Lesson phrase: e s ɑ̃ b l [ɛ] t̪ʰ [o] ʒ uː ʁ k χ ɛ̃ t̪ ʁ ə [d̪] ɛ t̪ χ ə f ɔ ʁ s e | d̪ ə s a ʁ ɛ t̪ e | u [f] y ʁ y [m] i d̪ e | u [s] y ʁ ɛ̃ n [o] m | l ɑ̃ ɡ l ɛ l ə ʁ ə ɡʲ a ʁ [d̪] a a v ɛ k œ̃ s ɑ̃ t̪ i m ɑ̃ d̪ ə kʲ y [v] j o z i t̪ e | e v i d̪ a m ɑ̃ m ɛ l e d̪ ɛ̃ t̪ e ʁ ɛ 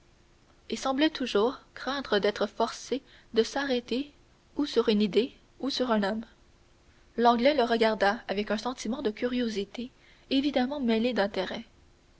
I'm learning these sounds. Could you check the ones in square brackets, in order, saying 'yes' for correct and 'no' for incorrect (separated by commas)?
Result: yes, no, yes, no, no, yes, no, yes, no